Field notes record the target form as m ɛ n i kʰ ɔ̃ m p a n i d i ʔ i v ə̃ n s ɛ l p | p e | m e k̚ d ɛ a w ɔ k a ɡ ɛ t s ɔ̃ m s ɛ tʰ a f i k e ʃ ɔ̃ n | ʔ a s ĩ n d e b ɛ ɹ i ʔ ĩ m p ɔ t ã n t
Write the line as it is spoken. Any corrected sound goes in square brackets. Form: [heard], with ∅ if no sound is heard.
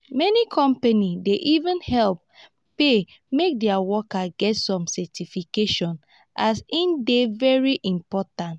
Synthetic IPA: m ɛ n i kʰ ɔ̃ m p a n i d [e] ʔ i v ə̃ n [h] ɛ l p | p e | m e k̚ d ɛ a w ɔ k a ɡ ɛ t s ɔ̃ m s ɛ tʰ [i] f i k e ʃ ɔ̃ n | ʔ a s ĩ n d e [v] ɛ ɹ i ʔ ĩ m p ɔ t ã n t